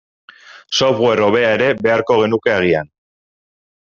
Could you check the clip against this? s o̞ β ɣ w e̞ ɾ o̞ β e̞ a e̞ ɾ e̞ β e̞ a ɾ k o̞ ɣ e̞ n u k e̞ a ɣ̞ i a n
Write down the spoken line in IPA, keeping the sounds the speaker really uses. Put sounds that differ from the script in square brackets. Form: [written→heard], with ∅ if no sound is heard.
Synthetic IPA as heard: s o̞ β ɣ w e̞ ɾ o̞ β e̞ a e̞ ɾ e̞ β e̞ a ɾ k o̞ ɣ e̞ n u k e̞ a ɣ̞ i a n

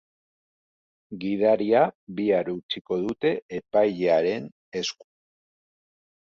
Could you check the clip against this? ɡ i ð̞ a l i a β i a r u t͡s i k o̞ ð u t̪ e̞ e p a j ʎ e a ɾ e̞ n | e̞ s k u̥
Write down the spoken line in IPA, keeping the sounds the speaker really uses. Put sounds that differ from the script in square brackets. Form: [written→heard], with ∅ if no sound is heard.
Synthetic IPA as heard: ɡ i ð̞ a [l→ɾ] i a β i a [r→ɾ] u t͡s i k o̞ ð u t̪ e̞ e p a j ʎ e a ɾ e̞ n | e̞ s k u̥

